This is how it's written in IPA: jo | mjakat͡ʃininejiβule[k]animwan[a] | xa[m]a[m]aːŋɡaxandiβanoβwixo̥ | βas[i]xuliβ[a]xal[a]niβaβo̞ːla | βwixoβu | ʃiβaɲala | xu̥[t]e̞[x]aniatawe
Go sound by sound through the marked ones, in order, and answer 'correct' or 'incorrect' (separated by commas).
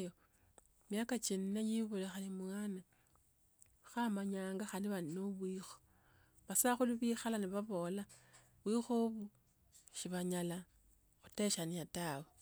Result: incorrect, correct, correct, incorrect, incorrect, incorrect, correct, correct, incorrect